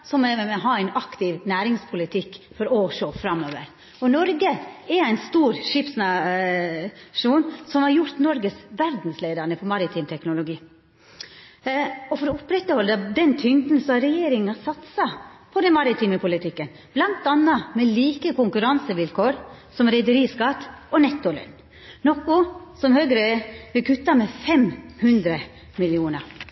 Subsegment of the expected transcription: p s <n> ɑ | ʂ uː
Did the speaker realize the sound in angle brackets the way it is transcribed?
yes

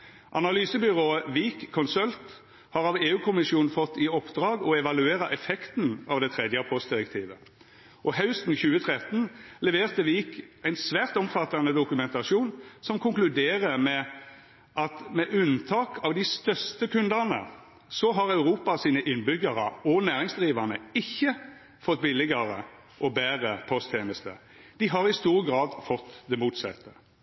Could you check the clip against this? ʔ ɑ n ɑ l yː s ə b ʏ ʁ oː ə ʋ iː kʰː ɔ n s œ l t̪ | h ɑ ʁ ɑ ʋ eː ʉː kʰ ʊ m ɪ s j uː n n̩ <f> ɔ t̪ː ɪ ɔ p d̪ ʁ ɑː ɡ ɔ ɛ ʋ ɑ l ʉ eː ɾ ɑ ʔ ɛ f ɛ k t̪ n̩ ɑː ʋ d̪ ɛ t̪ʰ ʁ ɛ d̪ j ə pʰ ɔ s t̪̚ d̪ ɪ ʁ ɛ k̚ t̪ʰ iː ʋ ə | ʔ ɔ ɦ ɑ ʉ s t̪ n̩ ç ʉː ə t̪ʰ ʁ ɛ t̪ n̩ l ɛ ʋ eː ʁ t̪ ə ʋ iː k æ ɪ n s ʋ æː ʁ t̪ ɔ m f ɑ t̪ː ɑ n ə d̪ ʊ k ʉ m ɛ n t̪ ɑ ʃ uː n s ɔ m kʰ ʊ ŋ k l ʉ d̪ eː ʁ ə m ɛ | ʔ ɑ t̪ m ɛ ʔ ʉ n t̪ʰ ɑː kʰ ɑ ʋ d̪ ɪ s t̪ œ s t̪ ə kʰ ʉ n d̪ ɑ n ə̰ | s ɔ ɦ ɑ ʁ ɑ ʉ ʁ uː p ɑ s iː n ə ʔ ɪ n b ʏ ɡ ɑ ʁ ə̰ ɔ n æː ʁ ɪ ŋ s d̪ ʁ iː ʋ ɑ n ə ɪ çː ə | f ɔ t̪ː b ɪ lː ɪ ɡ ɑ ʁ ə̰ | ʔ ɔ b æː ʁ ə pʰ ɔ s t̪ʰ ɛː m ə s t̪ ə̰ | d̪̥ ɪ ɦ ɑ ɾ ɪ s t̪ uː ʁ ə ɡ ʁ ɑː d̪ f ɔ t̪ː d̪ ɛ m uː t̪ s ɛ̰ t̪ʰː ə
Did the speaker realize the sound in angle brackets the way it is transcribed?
yes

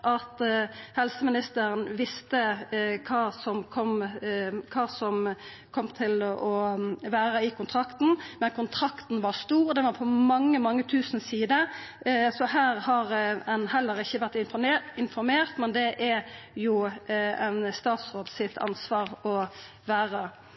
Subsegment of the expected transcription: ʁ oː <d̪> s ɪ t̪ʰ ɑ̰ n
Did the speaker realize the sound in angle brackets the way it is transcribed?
yes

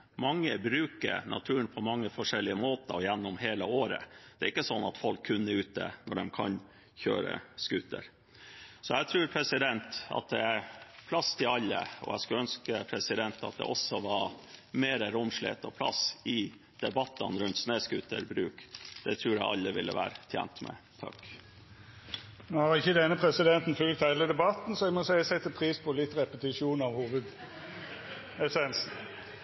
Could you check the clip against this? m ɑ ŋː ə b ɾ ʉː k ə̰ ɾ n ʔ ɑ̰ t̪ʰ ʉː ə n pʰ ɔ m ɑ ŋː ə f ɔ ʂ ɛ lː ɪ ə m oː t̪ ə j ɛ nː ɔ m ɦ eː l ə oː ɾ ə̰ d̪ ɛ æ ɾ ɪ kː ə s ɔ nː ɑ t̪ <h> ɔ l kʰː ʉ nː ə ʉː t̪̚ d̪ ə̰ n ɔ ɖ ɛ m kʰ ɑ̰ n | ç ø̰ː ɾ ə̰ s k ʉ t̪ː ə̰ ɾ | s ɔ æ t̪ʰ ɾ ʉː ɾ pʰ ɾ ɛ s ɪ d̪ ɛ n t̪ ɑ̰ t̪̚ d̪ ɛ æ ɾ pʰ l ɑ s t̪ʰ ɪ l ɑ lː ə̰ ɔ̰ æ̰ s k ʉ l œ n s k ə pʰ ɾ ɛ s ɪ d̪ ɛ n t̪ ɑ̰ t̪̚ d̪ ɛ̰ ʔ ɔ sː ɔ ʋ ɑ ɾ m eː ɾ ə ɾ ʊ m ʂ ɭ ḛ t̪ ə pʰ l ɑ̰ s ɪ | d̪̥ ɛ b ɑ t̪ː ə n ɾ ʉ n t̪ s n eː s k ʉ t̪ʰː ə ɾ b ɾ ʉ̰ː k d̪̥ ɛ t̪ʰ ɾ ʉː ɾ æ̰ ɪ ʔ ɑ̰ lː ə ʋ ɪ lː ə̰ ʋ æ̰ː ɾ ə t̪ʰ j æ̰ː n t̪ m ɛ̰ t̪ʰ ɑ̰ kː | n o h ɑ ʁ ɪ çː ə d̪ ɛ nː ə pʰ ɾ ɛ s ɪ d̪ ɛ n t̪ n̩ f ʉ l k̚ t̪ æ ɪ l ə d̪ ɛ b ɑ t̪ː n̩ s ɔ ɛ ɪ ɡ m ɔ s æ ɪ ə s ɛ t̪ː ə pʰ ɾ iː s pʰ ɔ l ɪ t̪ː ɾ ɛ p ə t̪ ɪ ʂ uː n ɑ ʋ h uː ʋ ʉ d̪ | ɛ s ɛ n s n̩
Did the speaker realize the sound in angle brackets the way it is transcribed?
no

